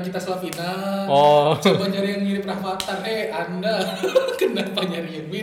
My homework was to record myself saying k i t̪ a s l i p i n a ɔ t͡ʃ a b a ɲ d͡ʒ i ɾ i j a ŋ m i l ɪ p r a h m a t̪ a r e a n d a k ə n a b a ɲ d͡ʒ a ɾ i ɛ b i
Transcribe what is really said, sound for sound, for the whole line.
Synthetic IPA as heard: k i t̪ a s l a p i n a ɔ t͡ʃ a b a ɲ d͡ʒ a ɾ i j a ŋ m i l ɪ p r a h m a t̪ a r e a n d a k ə n a p a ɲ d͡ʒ a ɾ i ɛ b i